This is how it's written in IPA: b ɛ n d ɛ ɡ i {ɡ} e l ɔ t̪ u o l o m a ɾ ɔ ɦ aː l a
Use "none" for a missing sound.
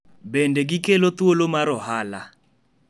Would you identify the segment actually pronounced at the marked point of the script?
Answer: k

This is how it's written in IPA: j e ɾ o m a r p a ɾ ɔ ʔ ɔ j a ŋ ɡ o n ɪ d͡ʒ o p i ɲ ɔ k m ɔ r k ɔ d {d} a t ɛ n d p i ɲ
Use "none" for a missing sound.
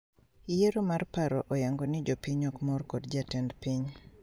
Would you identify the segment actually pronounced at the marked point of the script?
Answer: d͡ʒ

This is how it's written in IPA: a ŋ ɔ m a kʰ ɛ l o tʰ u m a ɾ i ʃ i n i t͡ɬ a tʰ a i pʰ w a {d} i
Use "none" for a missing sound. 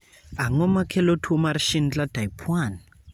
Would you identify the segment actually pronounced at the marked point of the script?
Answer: n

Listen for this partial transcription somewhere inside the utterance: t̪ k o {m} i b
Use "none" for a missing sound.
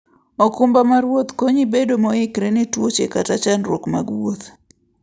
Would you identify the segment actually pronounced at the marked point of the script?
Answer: ɲ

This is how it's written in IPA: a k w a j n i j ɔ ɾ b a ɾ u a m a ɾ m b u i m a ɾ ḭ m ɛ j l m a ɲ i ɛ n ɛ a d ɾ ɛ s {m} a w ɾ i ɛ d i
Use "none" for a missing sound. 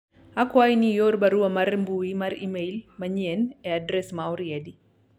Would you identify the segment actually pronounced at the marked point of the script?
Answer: m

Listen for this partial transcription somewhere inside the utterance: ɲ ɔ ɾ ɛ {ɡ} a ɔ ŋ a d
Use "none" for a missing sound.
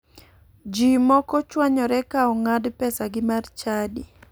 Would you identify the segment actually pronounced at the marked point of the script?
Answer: k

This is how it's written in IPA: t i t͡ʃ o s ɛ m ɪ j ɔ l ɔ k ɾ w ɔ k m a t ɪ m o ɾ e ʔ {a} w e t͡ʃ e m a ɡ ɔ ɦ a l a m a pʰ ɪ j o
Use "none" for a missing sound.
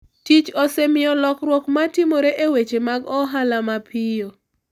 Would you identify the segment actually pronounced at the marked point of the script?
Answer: e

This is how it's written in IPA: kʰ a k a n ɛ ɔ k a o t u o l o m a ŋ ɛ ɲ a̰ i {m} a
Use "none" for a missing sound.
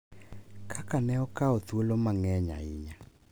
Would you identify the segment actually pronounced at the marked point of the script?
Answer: ɲ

